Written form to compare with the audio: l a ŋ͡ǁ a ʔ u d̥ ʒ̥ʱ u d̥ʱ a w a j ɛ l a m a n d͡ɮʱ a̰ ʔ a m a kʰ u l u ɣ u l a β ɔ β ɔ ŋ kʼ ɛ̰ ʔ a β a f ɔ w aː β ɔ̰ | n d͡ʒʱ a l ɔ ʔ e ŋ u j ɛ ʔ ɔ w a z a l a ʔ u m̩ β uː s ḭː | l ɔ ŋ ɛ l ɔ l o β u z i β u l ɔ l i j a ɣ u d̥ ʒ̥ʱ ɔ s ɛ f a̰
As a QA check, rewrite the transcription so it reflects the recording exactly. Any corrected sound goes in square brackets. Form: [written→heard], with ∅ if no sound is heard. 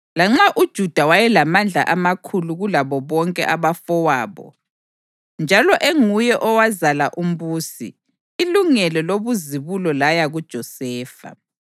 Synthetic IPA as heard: l a ŋ͡ǁ a ʔ u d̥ ʒ̥ʱ u d̥ʱ a w a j ɛ l a m a n d͡ɮʱ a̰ ʔ a m a kʰ u l u ɣ u l a β ɔ β ɔ ŋ kʼ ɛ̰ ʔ a β a f ɔ w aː β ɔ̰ | n d͡ʒʱ a l ɔ ʔ e ŋ u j ɛ ʔ ɔ w a z a l a ʔ u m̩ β uː s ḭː | l [ɔ→u] ŋ ɛ l ɔ l o β u z i β u l ɔ l [i→a] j a ɣ u d̥ ʒ̥ʱ ɔ s [ɛ→ɛː] f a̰